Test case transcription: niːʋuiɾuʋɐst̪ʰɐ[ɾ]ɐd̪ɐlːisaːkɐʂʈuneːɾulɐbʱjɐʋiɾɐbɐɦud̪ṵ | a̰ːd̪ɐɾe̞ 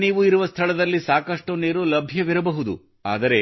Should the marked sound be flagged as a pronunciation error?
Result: yes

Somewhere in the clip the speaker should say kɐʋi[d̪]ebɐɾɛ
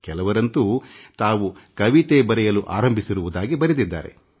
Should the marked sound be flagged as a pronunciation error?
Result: yes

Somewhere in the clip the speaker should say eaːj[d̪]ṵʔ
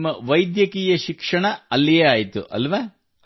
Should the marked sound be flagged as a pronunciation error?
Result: yes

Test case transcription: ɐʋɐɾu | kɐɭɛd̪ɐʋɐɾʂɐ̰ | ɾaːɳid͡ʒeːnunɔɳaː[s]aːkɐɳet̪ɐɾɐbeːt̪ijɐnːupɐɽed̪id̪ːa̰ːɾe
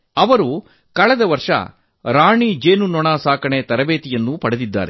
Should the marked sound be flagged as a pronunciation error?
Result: no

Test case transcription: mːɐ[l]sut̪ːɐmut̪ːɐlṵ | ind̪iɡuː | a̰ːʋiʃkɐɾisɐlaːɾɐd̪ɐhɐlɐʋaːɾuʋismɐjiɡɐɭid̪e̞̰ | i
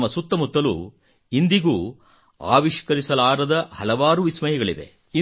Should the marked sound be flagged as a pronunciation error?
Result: yes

